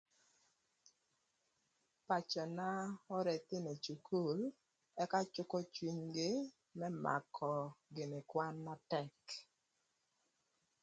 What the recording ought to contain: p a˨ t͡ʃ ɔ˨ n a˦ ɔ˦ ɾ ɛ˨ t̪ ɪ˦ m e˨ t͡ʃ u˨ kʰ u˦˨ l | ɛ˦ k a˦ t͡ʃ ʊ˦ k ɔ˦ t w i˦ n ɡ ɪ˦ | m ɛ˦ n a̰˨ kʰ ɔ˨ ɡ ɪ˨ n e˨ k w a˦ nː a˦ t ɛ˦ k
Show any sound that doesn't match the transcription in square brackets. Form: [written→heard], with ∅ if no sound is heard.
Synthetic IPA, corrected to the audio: p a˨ t͡ʃ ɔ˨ n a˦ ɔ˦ ɾ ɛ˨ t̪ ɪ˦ [m→n] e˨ t͡ʃ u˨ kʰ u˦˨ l | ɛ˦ k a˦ t͡ʃ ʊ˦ k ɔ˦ [t→t͡ʃ] w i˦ [n→ɲ] ɡ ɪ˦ | m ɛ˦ [n→m] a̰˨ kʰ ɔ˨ ɡ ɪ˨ n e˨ k w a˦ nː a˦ t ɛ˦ k